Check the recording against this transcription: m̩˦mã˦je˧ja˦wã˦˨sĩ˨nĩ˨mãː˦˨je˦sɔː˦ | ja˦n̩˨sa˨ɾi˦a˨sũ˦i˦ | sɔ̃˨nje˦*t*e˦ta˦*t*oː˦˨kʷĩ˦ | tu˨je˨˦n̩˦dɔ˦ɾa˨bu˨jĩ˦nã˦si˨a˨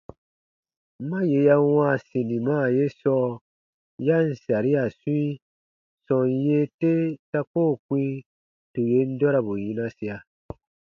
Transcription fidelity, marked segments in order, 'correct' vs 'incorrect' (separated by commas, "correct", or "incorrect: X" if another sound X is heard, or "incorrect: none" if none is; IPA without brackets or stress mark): correct, incorrect: k